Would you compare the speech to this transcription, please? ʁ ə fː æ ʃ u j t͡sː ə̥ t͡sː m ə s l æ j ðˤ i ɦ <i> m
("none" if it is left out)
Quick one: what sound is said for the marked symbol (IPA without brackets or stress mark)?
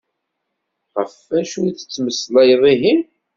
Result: i